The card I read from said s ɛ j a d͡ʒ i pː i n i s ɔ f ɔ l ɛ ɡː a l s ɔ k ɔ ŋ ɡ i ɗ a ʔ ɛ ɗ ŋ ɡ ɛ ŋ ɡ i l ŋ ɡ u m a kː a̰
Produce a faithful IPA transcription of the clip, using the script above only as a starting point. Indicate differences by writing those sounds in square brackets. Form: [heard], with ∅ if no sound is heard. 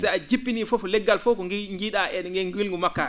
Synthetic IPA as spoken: s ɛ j a d͡ʒ i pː i n i [f] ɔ f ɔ l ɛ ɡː a l [f] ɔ k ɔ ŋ ɡ i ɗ a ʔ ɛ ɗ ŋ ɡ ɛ ŋ ɡ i l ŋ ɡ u m a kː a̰